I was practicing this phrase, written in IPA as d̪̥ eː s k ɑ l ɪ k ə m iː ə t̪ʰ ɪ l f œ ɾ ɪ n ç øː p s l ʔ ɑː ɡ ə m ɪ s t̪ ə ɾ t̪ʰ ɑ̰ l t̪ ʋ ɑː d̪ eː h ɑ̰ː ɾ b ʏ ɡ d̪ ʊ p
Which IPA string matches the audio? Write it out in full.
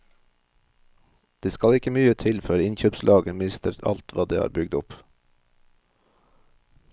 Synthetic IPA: d̪̥ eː s k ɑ l ɪ k ə m yː ə t̪ʰ ɪ l f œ ɾ ɪ n ç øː p s l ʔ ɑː ɡ ə m ɪ s t̪ ə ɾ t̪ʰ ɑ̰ l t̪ ʋ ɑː d̪ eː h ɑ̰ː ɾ b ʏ ɡ d̪ ʊ p